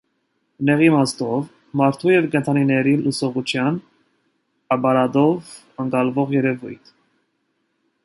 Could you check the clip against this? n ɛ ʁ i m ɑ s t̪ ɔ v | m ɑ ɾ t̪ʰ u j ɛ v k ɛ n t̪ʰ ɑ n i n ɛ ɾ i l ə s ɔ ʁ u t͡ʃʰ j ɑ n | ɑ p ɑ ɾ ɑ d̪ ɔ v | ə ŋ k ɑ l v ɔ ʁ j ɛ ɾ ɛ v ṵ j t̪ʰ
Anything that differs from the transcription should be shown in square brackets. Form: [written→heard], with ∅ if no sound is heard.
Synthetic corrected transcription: n ɛ ʁ i m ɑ s t̪ ɔ v | m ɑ ɾ t̪ʰ u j ɛ v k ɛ n t̪ʰ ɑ n i n ɛ ɾ i l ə s ɔ ʁ u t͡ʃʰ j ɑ n | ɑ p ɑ ɾ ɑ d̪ ɔ v | ə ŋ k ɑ l v ɔ ʁ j ɛ ɾ ɛ v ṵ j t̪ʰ